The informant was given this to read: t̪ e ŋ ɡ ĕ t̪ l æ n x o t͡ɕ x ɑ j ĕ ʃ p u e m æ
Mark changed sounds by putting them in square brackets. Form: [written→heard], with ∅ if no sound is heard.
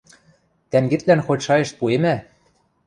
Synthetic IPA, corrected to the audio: t̪ [e→æ] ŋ ɡ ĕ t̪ l æ n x o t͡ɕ [x→ʃ] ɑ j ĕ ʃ p u e m æ